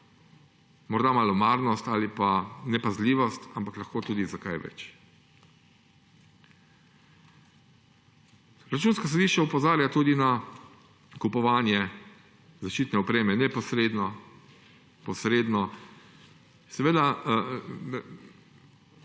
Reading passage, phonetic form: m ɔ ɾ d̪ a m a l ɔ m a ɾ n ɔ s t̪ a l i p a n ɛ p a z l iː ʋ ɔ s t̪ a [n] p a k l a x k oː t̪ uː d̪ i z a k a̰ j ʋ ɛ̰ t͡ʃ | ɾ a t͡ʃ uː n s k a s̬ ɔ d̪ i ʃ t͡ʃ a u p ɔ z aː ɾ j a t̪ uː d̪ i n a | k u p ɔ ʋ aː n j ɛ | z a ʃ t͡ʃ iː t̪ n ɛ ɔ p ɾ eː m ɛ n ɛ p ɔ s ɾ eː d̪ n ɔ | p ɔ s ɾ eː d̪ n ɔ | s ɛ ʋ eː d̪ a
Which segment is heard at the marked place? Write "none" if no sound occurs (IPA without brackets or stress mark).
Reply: m